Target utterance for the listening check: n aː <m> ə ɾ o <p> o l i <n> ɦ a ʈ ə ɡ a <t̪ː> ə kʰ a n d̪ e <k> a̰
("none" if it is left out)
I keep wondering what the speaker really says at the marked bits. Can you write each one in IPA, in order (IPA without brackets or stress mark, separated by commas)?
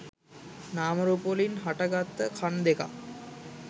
m, p, n, t̪ː, k